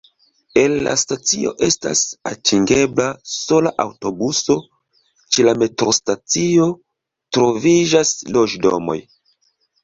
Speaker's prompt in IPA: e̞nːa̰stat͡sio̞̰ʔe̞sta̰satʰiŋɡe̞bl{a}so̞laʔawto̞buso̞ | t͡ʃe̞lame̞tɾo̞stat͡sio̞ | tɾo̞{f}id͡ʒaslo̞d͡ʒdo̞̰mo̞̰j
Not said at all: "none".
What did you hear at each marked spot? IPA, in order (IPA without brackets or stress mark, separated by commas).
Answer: a, v